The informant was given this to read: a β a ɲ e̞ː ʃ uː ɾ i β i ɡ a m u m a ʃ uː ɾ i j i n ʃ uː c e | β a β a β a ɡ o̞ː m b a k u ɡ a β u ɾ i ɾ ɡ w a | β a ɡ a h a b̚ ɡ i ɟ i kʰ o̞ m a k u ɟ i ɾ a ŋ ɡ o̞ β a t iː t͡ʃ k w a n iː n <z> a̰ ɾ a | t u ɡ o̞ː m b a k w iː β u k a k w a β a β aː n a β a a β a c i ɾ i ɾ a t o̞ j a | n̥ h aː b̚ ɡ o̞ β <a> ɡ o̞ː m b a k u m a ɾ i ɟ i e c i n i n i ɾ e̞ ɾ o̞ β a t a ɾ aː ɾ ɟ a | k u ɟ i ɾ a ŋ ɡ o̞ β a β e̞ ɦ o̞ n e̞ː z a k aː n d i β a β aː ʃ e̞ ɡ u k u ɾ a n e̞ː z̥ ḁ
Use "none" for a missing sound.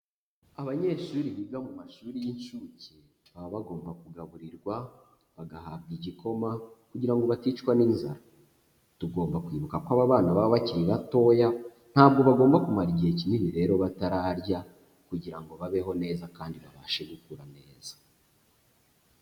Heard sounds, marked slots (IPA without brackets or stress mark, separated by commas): z, a